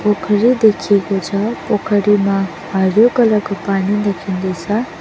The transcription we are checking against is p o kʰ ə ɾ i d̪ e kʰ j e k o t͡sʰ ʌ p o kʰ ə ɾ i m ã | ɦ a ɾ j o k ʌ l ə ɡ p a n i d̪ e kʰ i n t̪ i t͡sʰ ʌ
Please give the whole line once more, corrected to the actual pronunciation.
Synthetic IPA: p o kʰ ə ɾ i d̪ e kʰ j e k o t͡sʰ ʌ p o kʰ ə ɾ i m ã | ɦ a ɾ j o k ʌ l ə ɡ p a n i d̪ e kʰ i n d̪ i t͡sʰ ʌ